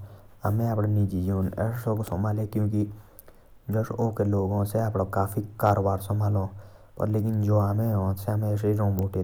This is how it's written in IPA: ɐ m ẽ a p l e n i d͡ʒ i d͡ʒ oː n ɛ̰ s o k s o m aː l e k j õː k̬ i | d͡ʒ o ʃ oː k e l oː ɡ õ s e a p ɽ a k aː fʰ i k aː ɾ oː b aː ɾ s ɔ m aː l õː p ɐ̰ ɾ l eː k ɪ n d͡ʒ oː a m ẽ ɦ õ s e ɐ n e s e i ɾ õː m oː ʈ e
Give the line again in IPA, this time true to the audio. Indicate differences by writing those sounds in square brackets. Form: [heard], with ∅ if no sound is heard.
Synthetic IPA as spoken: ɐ m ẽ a p [ɽ] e n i d͡ʒ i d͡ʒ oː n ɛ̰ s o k s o m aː l e k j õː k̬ i | d͡ʒ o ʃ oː k e l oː ɡ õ s e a p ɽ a k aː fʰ i k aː ɾ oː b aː ɾ s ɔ m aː l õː p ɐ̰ ɾ l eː k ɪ n d͡ʒ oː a m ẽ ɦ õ s e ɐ [m] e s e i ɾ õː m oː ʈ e